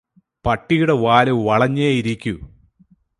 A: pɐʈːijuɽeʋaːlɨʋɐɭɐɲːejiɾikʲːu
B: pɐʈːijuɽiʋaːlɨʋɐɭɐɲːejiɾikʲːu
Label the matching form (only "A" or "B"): A